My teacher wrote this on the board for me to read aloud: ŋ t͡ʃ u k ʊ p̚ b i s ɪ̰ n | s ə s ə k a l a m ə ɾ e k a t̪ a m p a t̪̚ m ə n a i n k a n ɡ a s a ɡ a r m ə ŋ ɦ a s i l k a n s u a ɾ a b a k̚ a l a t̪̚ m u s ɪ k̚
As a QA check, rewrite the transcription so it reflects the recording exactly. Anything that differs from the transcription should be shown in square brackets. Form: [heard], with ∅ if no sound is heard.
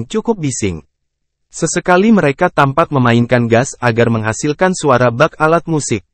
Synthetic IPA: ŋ t͡ʃ u k ʊ p̚ b i s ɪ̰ [ŋ] | s ə s ə k a l [i] m ə ɾ e k a t̪ a m p a t̪̚ m ə [m] a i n k a n ɡ a s a ɡ a r m ə ŋ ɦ a s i l k a n s u a ɾ a b a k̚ a l a t̪̚ m u s ɪ k̚